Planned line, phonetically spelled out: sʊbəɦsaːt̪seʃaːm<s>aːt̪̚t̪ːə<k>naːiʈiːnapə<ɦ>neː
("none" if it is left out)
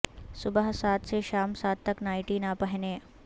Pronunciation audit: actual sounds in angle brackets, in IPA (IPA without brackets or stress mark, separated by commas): s, k, ɦ